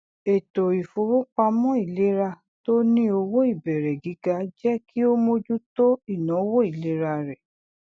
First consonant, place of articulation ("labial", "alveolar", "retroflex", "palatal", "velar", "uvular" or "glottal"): alveolar